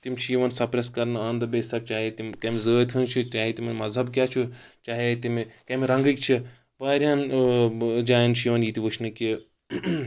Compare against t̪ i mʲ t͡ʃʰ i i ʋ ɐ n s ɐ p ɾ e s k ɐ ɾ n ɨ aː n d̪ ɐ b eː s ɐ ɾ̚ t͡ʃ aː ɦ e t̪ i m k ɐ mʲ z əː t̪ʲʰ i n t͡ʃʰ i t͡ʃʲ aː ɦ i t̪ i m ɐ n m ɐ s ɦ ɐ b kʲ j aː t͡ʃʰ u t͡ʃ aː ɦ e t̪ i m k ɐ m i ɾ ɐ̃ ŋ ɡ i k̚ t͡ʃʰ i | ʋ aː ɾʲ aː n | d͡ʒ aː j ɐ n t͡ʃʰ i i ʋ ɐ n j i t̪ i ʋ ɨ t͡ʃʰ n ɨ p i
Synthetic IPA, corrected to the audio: t̪ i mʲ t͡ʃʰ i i ʋ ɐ n s ɐ p ɾ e s k ɐ ɾ n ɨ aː n d̪ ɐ b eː s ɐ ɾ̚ t͡ʃ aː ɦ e t̪ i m k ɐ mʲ z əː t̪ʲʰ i n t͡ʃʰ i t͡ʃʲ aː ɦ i t̪ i m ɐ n m ɐ z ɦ ɐ b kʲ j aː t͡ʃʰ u t͡ʃ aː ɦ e t̪ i m k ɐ m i ɾ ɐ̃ ŋ ɡ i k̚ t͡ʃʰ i | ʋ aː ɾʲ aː n | d͡ʒ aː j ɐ n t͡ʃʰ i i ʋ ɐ n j i t̪ i ʋ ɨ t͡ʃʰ n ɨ k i